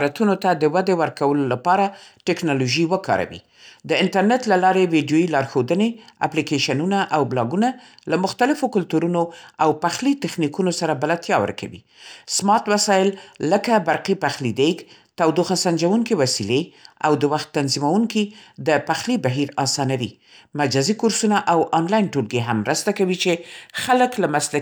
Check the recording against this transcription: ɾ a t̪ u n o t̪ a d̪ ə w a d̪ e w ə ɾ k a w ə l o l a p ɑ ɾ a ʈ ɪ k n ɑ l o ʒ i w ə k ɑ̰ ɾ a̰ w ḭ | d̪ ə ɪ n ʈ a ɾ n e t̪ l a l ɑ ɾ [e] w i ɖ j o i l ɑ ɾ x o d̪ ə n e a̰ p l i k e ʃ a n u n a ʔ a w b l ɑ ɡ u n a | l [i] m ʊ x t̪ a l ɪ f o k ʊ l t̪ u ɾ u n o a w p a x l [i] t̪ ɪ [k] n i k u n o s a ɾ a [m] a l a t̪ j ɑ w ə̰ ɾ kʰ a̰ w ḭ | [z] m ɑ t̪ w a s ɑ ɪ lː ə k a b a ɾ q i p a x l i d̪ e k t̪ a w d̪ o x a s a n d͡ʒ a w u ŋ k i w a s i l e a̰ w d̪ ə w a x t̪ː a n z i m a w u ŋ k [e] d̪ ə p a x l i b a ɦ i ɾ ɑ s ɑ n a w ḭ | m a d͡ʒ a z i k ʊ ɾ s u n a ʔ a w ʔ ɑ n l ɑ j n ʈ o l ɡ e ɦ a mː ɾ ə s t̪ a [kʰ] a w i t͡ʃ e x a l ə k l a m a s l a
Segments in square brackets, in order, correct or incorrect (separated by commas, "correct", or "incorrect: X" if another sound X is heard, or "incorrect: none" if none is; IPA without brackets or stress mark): correct, incorrect: a, correct, incorrect: x, incorrect: b, incorrect: s, incorrect: i, incorrect: k